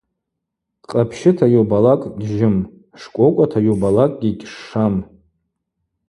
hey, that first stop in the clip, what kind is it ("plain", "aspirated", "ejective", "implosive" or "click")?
ejective